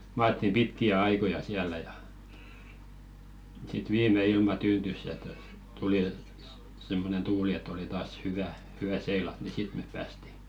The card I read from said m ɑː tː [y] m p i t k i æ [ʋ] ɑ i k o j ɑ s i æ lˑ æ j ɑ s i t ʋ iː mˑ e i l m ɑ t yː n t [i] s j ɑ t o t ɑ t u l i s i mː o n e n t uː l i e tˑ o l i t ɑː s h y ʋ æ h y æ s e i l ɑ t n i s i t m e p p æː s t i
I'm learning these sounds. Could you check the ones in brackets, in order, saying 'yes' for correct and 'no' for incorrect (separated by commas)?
no, no, no